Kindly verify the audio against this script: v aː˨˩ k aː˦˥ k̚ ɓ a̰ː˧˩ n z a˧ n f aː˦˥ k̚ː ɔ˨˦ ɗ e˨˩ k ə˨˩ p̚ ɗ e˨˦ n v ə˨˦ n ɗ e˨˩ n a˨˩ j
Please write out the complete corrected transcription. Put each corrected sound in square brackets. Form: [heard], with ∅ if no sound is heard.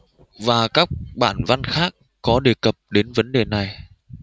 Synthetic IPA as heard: v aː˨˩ k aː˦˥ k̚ ɓ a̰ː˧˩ n [v] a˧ n [x] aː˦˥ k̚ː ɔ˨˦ ɗ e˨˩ k ə˨˩ p̚ ɗ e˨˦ n v ə˨˦ n ɗ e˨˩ n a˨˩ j